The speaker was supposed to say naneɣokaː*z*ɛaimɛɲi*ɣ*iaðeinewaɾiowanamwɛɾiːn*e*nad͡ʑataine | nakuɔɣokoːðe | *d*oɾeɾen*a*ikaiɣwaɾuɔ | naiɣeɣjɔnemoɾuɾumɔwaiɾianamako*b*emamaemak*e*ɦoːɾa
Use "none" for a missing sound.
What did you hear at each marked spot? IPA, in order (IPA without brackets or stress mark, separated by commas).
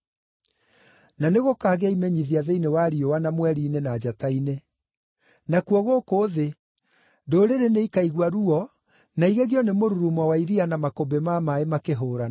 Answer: ɣ, ð, e, d, e, b, e